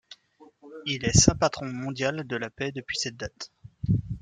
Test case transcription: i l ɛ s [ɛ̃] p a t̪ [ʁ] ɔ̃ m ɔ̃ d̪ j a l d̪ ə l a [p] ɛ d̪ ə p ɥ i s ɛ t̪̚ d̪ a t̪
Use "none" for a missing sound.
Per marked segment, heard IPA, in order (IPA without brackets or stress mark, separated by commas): ɛ̃, χ, p